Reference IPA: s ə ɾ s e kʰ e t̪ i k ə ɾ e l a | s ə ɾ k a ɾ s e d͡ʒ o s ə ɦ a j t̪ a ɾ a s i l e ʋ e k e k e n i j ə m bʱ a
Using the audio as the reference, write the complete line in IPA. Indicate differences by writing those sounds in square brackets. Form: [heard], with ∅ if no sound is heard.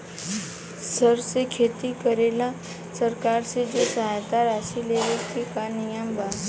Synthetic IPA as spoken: s ə ɾ s e kʰ e t̪ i k ə ɾ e l a | s ə ɾ k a ɾ s e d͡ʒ o s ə ɦ a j t̪ a ɾ a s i l e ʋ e k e k [a] n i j ə m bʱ a